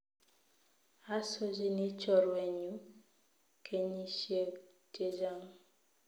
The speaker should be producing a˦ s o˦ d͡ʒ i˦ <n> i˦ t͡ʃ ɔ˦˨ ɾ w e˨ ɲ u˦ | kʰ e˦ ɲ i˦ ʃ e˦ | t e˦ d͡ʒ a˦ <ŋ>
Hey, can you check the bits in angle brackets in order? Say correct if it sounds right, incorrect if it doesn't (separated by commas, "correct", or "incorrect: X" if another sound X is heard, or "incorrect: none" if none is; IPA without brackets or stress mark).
correct, correct